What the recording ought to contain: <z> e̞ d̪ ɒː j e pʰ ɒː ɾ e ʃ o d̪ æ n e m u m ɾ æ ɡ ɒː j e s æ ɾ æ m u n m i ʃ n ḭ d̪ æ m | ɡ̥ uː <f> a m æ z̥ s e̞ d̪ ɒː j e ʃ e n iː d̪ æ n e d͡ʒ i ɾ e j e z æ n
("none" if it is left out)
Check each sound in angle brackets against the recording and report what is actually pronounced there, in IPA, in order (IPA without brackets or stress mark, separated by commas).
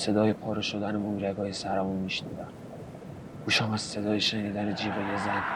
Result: s, ʃ